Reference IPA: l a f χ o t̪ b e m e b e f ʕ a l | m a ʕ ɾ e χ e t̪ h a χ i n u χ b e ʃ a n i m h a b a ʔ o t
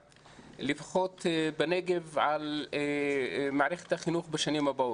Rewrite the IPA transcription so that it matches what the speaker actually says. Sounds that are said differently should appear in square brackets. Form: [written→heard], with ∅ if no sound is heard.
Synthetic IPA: l [a→i] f χ o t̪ b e [m→n] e [b→ɡ] e [f→v] ʕ a l | m a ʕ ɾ e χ e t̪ h a χ i n u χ b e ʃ a n i m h a b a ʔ o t